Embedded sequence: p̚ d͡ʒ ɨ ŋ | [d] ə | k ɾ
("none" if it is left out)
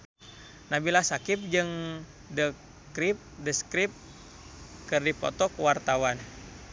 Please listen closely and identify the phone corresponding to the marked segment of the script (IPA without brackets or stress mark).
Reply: d